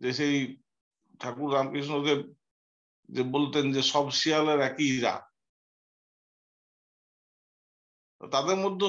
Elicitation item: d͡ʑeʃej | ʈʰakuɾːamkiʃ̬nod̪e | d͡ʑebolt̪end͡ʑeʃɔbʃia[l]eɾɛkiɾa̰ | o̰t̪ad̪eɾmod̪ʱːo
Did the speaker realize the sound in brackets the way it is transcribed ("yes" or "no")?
yes